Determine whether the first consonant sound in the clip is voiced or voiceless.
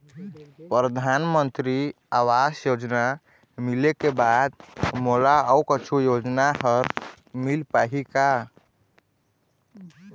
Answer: voiceless